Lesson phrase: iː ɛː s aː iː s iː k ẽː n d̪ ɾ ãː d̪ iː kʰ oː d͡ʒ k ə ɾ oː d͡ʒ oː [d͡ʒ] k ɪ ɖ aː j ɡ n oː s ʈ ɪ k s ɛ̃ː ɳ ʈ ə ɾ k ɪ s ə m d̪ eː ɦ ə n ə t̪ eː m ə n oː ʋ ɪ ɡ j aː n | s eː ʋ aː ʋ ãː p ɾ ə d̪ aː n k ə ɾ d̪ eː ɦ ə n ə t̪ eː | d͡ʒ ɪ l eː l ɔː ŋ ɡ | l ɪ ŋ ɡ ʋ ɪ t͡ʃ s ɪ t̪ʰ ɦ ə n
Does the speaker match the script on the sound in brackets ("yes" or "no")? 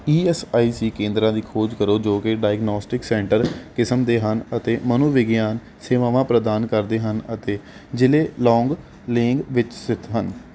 no